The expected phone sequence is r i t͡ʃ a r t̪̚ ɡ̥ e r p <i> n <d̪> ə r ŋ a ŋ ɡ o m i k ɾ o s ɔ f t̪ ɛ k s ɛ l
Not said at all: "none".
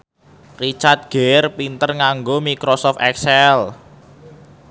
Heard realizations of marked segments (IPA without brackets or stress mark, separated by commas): i, t̪